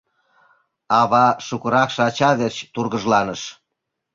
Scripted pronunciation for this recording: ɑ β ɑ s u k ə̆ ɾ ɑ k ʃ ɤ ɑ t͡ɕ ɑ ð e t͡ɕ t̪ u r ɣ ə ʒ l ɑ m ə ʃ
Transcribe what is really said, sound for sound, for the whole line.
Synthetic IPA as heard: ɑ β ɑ ʃ u k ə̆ ɾ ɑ k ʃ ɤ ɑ t͡ɕ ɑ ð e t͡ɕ t̪ u r ɣ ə ʒ l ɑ n ə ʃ